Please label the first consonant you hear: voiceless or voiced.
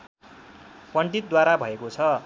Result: voiceless